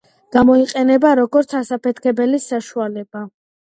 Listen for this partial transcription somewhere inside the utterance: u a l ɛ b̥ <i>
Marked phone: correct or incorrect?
incorrect